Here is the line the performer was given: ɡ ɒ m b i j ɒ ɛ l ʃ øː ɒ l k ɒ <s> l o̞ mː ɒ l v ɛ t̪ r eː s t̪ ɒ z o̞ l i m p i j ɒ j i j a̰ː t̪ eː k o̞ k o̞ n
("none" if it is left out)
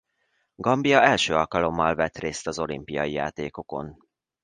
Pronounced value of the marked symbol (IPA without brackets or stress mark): none